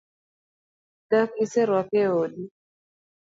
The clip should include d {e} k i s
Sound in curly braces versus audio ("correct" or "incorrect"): incorrect